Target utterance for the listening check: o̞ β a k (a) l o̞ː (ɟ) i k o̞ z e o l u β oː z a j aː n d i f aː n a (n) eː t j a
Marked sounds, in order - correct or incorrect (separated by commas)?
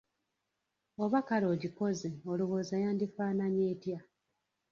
correct, correct, incorrect